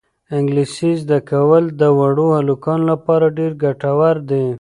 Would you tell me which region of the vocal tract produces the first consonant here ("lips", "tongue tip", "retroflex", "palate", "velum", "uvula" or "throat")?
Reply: velum